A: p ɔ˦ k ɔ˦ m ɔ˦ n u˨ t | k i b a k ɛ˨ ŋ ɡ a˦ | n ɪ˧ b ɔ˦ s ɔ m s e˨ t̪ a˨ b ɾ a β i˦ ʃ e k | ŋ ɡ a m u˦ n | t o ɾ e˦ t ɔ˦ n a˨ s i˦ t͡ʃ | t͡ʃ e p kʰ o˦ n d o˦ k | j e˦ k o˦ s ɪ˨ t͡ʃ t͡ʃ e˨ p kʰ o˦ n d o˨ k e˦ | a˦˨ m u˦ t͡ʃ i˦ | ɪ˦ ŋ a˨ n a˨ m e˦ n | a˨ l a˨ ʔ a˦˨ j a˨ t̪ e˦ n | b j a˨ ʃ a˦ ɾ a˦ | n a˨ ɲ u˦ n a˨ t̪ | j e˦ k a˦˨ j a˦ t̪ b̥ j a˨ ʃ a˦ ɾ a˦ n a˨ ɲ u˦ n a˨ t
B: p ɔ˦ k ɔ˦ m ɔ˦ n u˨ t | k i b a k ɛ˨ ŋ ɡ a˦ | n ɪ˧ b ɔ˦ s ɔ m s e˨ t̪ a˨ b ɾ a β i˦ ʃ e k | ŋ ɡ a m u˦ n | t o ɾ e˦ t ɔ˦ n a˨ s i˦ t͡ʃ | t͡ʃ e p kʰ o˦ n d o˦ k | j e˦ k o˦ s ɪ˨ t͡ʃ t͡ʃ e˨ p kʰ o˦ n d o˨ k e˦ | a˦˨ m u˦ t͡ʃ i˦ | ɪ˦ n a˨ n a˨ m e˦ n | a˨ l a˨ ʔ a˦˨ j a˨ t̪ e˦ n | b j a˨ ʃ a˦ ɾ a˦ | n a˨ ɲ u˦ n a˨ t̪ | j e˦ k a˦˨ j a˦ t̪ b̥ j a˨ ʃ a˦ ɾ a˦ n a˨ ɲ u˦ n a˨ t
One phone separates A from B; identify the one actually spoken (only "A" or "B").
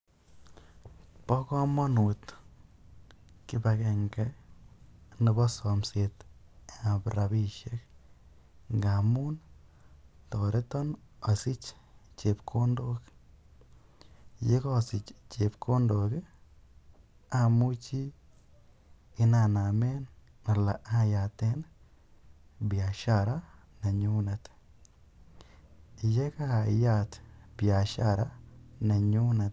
B